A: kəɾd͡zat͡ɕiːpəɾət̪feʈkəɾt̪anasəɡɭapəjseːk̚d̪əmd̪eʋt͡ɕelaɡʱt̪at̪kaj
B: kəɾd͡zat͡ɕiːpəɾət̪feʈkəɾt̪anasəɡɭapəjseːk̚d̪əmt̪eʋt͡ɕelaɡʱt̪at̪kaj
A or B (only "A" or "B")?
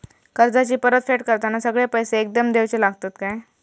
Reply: A